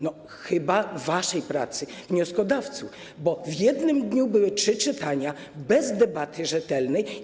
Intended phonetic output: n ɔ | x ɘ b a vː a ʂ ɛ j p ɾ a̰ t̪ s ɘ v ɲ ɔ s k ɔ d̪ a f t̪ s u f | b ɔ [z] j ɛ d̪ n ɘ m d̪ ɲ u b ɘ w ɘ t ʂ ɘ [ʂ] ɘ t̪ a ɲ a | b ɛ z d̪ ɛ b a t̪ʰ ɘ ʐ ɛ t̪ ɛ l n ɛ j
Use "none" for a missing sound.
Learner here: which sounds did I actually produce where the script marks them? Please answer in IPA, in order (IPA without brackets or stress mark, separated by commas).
v, t͡ʂ